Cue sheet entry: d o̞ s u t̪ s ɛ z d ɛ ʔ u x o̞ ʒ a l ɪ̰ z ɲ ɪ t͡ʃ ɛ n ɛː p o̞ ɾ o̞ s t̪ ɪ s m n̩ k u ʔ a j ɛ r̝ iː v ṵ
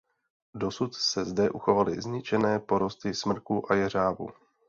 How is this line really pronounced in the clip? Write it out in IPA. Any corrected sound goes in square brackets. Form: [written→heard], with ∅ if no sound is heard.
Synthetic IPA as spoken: d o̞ s u t̪ s ɛ z d ɛ ʔ u x o̞ [ʒ→v] a l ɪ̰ z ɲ ɪ t͡ʃ ɛ n ɛː p o̞ ɾ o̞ s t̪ ɪ s m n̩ k u ʔ a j ɛ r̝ [iː→aː] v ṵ